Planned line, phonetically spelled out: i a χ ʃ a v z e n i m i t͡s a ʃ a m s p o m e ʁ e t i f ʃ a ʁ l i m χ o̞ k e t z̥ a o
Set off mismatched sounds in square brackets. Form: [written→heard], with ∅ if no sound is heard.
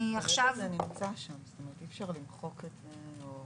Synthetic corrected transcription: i a χ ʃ a v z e n i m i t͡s a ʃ a m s [p→t] o m e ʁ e t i f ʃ a ʁ l i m χ o̞ k e t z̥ [a→e] o